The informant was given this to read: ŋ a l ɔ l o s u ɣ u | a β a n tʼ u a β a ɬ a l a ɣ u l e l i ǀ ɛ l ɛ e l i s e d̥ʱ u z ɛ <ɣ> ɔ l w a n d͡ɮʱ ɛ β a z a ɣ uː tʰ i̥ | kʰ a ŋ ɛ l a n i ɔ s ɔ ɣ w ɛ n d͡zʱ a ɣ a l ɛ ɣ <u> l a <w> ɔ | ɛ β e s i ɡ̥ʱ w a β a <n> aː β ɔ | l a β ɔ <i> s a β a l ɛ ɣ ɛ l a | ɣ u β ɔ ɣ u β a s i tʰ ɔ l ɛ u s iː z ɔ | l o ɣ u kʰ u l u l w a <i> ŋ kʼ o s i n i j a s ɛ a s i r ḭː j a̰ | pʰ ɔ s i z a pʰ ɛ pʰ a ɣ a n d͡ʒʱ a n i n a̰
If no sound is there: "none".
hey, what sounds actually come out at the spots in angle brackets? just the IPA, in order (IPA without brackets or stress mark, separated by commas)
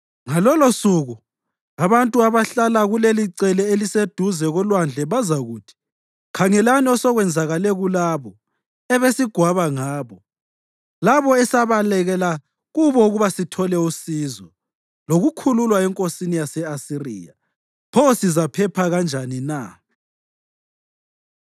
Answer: ɣ, u, β, ŋ, ɛ, ɛ